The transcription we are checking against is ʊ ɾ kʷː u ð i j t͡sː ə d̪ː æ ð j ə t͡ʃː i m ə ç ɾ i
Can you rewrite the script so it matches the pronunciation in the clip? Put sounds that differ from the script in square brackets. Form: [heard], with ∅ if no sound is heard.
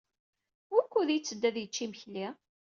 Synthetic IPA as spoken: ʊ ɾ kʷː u ð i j t͡sː ə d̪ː æ ð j ə t͡ʃː i m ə ç [l] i